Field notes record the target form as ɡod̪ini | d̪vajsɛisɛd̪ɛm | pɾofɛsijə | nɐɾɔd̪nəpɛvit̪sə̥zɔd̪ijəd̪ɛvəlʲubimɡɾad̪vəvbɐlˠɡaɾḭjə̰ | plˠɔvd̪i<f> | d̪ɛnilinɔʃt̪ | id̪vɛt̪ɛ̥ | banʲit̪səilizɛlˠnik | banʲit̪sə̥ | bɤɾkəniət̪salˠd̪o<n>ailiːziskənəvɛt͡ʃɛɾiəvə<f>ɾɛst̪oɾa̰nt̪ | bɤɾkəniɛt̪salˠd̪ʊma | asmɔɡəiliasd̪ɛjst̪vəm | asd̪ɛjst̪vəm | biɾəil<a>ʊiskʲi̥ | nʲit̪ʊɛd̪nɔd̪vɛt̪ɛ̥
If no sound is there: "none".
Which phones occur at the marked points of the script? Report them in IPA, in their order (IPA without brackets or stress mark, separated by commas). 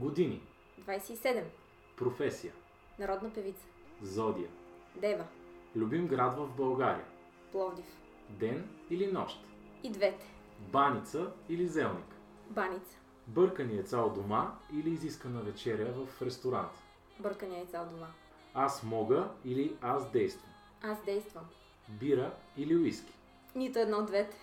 f, m, f, i